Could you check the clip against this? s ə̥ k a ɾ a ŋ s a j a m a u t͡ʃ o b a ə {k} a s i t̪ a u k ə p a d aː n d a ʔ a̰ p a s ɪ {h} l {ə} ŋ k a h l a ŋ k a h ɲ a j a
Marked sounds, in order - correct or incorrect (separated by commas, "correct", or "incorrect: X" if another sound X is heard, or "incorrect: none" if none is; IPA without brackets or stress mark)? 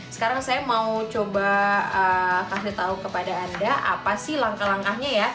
correct, correct, incorrect: a